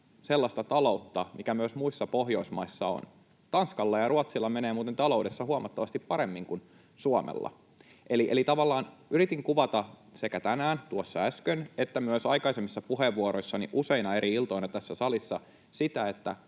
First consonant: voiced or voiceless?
voiceless